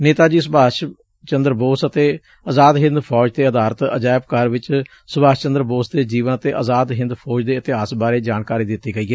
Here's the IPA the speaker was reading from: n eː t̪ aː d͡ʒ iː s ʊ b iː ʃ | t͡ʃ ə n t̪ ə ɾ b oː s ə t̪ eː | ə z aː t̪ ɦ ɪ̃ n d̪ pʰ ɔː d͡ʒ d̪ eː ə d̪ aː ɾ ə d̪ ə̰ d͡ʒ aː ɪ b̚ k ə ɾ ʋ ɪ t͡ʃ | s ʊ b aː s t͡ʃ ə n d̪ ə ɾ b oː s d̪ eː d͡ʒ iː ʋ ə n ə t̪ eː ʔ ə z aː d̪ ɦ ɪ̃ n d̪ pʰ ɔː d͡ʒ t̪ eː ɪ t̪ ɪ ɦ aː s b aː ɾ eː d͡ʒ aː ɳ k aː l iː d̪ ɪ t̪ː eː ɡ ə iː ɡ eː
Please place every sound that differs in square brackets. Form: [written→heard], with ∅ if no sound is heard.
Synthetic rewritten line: n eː t̪ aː d͡ʒ iː s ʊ b [iː→aː] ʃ | t͡ʃ ə n [t̪→d̪] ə ɾ b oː s ə t̪ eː | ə z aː [t̪→d̪] ɦ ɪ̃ n d̪ pʰ ɔː d͡ʒ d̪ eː ə d̪ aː ɾ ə [d̪→t̪] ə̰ d͡ʒ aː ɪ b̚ k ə ɾ ʋ ɪ t͡ʃ | s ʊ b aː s t͡ʃ ə n d̪ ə ɾ b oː s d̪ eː d͡ʒ iː ʋ ə n ə t̪ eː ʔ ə z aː d̪ ɦ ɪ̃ n d̪ pʰ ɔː d͡ʒ [t̪→d̪] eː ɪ t̪ ɪ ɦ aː s b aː ɾ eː d͡ʒ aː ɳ k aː [l→ɾ] iː d̪ ɪ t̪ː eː ɡ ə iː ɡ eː